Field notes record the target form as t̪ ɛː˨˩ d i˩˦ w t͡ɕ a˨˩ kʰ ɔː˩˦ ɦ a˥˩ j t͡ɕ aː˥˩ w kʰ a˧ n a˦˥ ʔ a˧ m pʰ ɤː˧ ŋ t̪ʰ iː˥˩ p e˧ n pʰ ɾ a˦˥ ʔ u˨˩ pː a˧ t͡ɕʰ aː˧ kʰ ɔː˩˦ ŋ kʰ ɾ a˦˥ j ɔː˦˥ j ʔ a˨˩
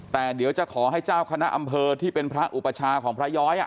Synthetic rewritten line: t̪ ɛː˨˩ d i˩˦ w t͡ɕ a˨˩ kʰ ɔː˩˦ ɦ a˥˩ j t͡ɕ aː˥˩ w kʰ a˧ n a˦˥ ʔ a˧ m pʰ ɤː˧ t̪ʰ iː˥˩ p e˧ n pʰ ɾ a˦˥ ʔ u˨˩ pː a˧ t͡ɕʰ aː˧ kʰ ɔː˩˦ ŋ pʰ ɾ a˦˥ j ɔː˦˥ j ʔ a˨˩

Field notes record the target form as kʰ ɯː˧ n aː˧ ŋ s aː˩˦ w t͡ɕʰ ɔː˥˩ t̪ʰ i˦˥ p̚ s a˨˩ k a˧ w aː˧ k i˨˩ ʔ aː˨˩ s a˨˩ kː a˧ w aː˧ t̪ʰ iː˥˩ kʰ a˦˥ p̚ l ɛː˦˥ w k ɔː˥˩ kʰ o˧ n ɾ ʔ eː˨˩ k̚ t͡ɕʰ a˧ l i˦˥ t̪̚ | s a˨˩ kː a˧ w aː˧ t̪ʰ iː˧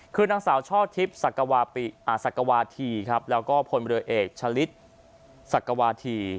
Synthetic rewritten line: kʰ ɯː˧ n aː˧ ŋ s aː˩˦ w t͡ɕʰ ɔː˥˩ t̪ʰ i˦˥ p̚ s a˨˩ k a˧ w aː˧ p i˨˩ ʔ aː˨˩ s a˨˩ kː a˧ w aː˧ t̪ʰ iː˧ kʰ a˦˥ p̚ l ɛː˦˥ w k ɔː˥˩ pʰ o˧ n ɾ ʔ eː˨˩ k̚ t͡ɕʰ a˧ l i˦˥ t̪̚ | s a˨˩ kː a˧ w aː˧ t̪ʰ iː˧

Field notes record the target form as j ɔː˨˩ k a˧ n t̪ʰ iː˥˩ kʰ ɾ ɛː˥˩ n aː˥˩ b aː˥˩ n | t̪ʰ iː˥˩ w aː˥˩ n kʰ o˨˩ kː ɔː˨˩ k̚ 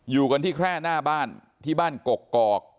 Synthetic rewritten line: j uː˨˩ k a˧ n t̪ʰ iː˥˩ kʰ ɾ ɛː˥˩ n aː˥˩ b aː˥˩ n | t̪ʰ iː˥˩ b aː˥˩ n k o˨˩ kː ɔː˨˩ k̚

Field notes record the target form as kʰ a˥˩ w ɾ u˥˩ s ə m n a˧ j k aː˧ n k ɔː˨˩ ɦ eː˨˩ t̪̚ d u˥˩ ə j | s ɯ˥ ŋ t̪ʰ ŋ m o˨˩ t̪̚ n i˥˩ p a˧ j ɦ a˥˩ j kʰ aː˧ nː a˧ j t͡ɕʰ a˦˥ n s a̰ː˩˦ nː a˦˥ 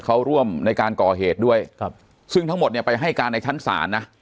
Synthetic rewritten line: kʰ a˦˥ w ɾ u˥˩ ə m n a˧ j k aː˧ n k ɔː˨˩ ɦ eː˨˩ t̪̚ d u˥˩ ə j | s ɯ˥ ŋ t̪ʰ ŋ m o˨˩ t̪̚ n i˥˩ p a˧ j ɦ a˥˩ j k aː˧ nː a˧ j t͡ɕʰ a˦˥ n s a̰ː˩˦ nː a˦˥

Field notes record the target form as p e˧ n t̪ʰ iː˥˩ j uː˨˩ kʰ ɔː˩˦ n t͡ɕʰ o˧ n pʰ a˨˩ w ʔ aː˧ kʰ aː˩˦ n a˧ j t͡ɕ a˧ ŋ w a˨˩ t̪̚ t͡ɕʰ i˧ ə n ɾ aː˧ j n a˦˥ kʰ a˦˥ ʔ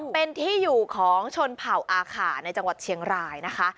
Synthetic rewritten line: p e˧ n t̪ʰ iː˥˩ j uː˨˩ kʰ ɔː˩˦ ŋ t͡ɕʰ o˧ n pʰ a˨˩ w ʔ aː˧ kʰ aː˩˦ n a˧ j t͡ɕ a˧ ŋ w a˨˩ t̪̚ t͡ɕʰ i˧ ə ŋ ɾ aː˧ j n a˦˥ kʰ a˦˥ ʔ

